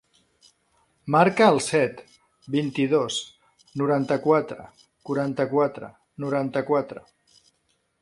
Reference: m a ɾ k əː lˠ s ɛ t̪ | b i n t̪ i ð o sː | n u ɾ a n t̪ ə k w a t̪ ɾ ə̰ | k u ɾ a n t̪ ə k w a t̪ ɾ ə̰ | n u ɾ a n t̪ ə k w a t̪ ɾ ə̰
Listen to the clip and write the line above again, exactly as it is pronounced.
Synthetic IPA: m a ɾ k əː lˠ s ɛ t̪ | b i n t̪ i ð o s | n u ɾ a n t̪ ə k w a t̪ ɾ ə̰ | k u ɾ a n t̪ ə k w a t̪ ɾ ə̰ | n u ɾ a n t̪ ə k w a t̪ ɾ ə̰